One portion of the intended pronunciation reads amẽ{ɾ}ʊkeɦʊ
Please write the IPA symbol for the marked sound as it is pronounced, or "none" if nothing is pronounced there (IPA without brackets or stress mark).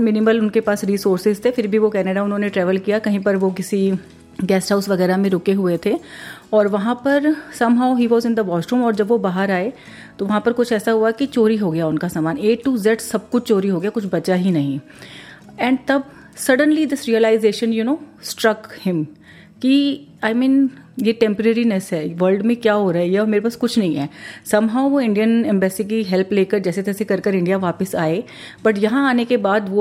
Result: ɾ